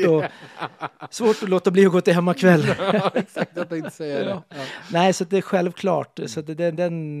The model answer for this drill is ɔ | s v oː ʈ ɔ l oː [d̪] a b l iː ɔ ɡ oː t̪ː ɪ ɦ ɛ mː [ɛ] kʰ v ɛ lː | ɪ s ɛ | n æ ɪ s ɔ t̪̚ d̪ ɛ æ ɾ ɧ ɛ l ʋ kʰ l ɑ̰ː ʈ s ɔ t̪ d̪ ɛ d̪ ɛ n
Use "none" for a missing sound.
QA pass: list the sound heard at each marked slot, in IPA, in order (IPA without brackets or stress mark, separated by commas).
t̪, a